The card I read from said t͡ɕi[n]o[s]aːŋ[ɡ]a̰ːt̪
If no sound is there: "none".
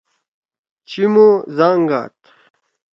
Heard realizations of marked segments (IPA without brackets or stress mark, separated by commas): m, z, ɡ